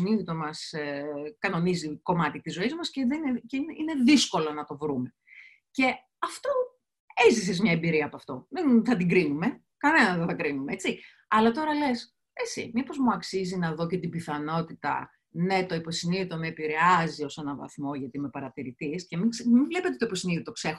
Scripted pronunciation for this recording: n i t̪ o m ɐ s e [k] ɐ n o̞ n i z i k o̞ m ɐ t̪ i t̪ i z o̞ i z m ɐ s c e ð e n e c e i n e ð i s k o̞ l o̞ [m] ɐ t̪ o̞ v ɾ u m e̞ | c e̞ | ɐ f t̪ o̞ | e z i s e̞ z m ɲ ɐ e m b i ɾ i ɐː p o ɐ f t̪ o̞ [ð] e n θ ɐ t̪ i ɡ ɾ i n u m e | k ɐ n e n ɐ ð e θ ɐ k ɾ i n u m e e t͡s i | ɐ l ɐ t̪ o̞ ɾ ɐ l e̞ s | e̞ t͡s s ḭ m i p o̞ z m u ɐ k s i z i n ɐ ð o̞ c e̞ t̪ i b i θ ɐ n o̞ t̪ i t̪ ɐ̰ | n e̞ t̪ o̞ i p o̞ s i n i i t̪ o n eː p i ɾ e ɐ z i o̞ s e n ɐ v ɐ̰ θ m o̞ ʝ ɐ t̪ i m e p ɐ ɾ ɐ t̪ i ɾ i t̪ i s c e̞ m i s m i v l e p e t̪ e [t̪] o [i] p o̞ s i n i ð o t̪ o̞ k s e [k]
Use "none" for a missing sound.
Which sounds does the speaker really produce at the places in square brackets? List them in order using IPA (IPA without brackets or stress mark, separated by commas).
k, n, ð, t̪, i, x